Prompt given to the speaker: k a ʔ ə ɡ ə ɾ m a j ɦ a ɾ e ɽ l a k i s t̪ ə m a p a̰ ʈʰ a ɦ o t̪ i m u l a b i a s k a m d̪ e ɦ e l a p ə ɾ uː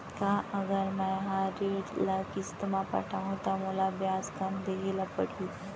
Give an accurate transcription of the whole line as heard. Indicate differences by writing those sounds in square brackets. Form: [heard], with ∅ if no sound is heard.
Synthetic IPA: k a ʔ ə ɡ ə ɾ m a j ɦ a ɾ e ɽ l a k i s t̪ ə m a p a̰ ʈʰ a ɦ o t̪ [a] m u l a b [j] a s k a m d̪ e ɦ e l a p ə [ɽ] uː